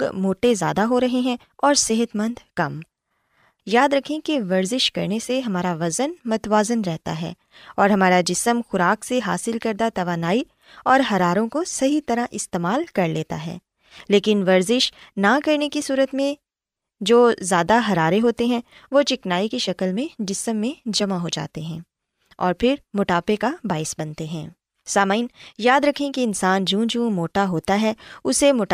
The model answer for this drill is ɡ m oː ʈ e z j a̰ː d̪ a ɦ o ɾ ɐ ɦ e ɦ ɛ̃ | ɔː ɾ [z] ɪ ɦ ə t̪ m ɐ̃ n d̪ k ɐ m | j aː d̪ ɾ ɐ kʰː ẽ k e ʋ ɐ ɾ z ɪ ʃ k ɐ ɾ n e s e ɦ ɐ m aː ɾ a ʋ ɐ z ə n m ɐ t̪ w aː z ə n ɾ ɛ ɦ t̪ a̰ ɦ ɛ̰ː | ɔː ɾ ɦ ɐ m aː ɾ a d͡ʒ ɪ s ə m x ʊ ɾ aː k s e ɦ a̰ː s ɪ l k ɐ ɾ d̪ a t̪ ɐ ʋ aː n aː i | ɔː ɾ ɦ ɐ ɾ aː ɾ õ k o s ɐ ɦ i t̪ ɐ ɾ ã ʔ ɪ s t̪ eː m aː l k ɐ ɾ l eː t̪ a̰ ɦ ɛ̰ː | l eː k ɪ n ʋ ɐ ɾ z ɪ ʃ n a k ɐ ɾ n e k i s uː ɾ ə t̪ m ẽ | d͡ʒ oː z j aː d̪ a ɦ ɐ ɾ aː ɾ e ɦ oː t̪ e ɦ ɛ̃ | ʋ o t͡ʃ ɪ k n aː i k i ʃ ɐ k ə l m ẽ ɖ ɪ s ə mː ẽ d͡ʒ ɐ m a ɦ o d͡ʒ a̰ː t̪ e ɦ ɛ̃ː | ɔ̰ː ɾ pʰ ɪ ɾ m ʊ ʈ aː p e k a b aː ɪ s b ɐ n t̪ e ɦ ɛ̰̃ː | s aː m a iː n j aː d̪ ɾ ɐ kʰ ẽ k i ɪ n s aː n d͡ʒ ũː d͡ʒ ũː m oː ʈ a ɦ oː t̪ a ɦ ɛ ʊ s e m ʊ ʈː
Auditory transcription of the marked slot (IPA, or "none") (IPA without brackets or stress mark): s